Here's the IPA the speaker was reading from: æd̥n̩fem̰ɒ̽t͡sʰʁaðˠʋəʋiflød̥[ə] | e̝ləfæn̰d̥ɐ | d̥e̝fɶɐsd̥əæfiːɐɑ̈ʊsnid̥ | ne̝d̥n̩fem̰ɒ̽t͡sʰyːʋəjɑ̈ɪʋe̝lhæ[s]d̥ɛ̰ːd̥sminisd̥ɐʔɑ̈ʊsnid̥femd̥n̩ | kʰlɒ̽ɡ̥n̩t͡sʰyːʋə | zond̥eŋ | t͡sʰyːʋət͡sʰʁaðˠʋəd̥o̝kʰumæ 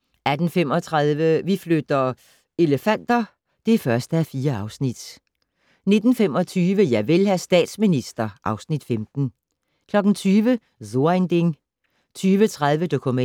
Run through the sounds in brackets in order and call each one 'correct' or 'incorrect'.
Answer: incorrect, correct

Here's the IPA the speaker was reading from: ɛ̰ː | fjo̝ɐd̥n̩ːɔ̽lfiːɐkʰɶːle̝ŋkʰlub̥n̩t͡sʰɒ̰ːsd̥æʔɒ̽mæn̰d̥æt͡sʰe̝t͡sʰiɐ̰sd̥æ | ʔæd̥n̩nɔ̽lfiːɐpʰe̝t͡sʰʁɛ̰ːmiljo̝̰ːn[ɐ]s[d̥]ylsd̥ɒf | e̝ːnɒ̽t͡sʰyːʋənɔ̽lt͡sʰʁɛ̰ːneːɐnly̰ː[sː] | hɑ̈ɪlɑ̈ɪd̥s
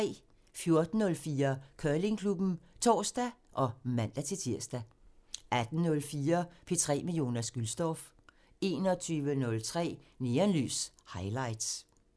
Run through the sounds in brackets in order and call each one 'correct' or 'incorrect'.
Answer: correct, incorrect, incorrect

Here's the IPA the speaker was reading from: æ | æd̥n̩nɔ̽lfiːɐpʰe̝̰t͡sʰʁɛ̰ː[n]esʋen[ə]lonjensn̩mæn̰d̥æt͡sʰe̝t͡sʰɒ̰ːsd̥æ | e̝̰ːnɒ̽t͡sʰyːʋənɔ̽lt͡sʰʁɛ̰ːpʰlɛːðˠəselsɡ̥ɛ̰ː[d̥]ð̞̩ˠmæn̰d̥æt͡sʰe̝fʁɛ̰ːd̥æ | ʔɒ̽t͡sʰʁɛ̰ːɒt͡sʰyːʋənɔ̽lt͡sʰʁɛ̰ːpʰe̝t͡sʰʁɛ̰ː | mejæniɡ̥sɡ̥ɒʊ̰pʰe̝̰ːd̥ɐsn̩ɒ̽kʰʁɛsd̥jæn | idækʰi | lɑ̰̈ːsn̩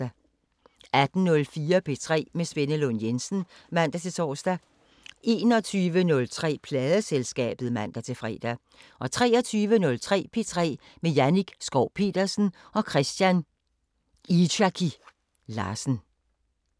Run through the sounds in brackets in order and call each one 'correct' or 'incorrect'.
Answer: incorrect, correct, incorrect

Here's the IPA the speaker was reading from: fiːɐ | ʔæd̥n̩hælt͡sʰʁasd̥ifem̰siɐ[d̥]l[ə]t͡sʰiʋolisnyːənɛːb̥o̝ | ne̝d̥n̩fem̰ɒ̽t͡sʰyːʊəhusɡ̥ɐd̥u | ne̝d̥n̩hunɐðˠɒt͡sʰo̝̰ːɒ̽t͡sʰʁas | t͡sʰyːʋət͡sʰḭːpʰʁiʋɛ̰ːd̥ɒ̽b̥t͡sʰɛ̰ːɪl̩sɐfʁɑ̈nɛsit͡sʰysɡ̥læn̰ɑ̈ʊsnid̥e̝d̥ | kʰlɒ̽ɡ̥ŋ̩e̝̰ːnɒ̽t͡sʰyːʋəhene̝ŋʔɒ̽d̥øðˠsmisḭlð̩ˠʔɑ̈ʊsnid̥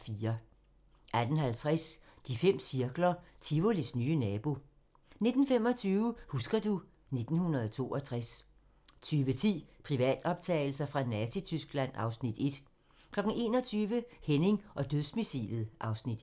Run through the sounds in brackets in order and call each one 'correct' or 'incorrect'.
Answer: incorrect, incorrect

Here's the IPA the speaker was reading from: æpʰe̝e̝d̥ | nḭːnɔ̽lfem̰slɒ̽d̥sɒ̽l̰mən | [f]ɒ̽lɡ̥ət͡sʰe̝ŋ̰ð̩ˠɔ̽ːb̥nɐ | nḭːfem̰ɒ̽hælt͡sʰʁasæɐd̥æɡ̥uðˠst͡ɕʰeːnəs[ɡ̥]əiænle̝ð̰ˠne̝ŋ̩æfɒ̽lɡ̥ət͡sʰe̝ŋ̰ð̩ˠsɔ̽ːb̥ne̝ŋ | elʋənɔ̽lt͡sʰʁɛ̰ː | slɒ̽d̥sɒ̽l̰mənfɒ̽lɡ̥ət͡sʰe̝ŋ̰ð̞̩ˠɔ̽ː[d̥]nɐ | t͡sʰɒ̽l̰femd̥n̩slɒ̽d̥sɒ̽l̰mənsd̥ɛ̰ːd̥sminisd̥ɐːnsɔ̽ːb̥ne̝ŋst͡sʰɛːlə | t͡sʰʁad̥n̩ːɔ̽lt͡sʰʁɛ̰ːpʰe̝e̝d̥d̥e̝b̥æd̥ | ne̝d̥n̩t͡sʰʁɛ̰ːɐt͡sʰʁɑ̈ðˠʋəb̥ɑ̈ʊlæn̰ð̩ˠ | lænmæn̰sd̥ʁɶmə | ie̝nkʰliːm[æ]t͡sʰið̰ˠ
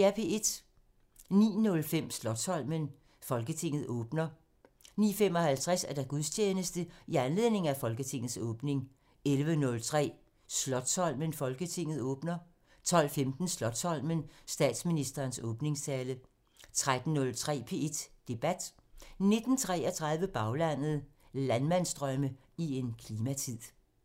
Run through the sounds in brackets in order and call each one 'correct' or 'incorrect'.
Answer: correct, incorrect, incorrect, correct

